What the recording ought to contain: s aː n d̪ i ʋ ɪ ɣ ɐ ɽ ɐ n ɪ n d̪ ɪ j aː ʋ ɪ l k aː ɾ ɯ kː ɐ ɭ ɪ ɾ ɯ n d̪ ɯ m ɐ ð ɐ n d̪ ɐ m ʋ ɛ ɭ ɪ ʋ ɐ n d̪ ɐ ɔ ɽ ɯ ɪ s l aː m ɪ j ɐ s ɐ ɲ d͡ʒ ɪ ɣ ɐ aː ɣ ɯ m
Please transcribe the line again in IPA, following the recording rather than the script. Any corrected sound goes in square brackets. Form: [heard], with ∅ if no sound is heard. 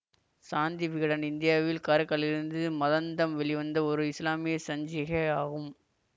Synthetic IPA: s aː n d̪ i ʋ ɪ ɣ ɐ ɽ ɐ n ɪ n d̪ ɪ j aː ʋ ɪ l k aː ɾ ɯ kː ɐ ɭ ɪ ɾ ɯ n d̪ ɯ m ɐ ð ɐ n d̪ ɐ m ʋ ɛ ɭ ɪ ʋ ɐ n d̪ ɐ ɔ [ɾ] ɯ ɪ s l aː m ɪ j ɐ s ɐ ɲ d͡ʒ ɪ ɣ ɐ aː ɣ ɯ m

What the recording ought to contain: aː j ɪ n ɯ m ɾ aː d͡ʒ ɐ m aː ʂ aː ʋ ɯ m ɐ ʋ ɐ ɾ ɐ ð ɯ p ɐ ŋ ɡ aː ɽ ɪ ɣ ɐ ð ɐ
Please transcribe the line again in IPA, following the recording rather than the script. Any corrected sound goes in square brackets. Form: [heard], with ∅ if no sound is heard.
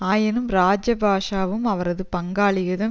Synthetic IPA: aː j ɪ n ɯ m ɾ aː d͡ʒ ɐ [b] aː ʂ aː ʋ ɯ m ɐ ʋ ɐ ɾ ɐ ð ɯ p ɐ ŋ ɡ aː [ɭ] ɪ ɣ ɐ ð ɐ

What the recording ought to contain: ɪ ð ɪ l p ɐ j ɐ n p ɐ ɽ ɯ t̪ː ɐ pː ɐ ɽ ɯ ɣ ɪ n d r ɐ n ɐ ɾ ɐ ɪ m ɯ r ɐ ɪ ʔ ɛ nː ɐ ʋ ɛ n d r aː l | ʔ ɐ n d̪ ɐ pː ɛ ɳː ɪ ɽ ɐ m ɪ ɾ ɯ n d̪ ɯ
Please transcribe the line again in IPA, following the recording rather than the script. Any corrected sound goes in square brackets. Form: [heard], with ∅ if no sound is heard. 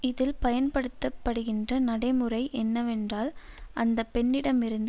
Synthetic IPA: ɪ ð ɪ l p ɐ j ɐ n p ɐ ɽ ɯ t̪ː ɐ pː ɐ ɽ ɯ ɣ ɪ n d r ɐ n ɐ [ɽ] ɐ ɪ m ɯ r ɐ ɪ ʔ ɛ nː ɐ ʋ ɛ n d r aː l | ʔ ɐ n d̪ ɐ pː ɛ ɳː ɪ ɽ ɐ m ɪ ɾ ɯ n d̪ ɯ

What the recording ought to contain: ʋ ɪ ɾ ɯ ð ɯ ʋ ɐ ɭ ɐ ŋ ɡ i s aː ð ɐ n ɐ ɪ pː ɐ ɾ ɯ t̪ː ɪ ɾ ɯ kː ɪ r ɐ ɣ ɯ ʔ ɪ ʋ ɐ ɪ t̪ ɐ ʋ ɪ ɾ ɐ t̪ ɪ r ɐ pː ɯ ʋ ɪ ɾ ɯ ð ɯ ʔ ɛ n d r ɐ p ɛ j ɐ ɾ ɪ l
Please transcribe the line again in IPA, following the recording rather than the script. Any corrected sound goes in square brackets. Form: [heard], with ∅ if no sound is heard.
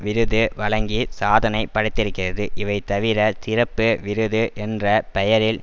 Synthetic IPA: ʋ ɪ ɾ ɯ ð ɯ ʋ ɐ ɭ ɐ ŋ ɡ i s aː ð ɐ n ɐ ɪ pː ɐ [ɽ] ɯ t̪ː ɪ ɾ ɯ kː ɪ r ɐ [ð] ɯ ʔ ɪ ʋ ɐ ɪ t̪ ɐ ʋ ɪ ɾ ɐ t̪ ɪ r ɐ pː ɯ ʋ ɪ ɾ ɯ ð ɯ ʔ ɛ n d r ɐ p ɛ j ɐ ɾ ɪ l

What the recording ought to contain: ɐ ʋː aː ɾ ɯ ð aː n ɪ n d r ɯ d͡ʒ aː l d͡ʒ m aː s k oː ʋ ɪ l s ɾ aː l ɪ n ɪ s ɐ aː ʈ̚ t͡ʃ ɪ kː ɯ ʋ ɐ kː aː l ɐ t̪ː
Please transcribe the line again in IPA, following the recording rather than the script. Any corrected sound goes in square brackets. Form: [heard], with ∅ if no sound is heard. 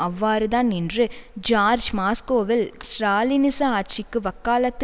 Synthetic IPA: ɐ ʋː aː ɾ ɯ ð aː n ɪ n d r ɯ d͡ʒ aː [ɾ] d͡ʒ m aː s k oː ʋ ɪ l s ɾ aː l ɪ n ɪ s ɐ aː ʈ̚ t͡ʃ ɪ kː ɯ ʋ ɐ kː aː l ɐ t̪ː

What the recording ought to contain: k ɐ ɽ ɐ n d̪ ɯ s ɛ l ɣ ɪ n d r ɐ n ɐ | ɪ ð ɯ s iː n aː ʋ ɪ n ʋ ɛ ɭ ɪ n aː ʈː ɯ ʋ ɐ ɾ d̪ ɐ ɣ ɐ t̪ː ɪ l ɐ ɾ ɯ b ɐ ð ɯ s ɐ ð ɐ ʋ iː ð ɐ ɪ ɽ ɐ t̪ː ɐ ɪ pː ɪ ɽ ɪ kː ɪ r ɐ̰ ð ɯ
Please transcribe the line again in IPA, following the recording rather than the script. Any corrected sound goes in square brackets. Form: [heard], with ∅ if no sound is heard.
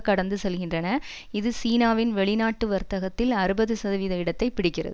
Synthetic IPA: k ɐ ɽ ɐ n d̪ ɯ s ɛ l ɣ ɪ n d r ɐ n ɐ | ɪ ð ɯ s iː n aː ʋ ɪ n ʋ ɛ ɭ ɪ n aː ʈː ɯ ʋ ɐ ɾ [t̪] ɐ ɣ ɐ t̪ː ɪ l ɐ ɾ ɯ b ɐ ð ɯ s ɐ ð ɐ ʋ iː ð ɐ ɪ ɽ ɐ t̪ː ɐ ɪ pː ɪ ɽ ɪ kː ɪ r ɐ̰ ð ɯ

